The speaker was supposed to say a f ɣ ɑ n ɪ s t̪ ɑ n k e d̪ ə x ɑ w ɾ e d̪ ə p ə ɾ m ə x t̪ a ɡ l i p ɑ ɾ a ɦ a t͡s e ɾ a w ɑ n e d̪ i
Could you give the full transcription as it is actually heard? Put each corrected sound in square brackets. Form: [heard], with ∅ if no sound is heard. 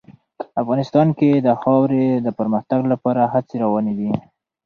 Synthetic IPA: a f ɣ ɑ n ɪ s t̪ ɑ n k e d̪ ə x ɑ w ɾ e d̪ ə p ə ɾ m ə x t̪ a ɡ l [a] p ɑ ɾ a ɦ a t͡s e ɾ a w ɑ n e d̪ i